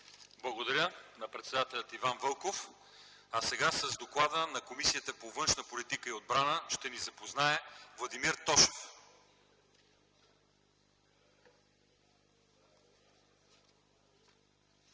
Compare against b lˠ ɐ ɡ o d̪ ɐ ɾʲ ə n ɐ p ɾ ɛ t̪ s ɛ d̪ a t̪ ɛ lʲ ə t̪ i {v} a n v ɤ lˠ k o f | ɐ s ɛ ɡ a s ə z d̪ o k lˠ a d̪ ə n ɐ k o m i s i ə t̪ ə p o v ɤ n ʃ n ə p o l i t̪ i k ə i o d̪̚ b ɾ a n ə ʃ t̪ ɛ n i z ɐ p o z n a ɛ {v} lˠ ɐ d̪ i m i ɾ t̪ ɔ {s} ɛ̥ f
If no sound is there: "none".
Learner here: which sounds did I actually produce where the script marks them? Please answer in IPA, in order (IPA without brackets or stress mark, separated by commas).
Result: v, v, ʃ